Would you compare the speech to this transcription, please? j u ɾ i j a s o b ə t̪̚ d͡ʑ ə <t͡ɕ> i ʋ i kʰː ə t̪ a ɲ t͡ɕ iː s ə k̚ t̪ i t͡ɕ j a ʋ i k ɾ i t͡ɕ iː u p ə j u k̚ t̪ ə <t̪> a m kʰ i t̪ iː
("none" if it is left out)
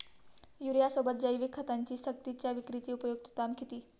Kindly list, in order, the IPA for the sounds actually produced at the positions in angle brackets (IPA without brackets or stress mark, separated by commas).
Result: none, t̪